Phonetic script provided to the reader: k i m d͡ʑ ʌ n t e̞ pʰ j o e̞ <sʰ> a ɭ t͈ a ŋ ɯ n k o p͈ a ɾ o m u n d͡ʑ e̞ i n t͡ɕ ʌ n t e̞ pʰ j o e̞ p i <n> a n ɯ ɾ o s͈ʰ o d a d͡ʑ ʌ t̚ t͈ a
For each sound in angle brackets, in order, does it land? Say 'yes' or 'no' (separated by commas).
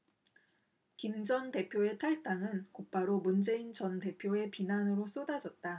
no, yes